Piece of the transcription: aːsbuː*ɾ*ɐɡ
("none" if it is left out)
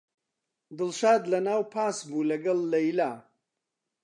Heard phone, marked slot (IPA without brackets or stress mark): l